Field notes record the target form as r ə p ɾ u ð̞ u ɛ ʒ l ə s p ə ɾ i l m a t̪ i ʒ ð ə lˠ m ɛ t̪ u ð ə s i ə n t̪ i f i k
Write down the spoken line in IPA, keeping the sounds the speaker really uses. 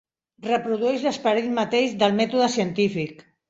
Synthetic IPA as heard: r ə p ɾ u ð̞ u ɛ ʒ l ə s p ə ɾ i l m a t̪ e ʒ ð ə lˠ m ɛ t̪ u ð ə s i ə n t̪ i f i k